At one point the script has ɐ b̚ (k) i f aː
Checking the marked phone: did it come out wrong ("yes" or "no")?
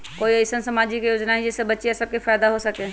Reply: no